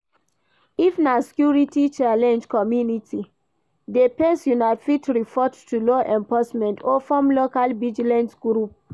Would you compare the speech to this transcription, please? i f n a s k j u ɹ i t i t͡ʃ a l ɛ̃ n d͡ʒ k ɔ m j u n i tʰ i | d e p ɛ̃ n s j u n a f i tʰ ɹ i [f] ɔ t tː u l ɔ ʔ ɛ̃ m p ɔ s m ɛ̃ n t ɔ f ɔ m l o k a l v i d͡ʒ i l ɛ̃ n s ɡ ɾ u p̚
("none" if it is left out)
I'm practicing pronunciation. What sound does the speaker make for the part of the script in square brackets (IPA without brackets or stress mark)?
f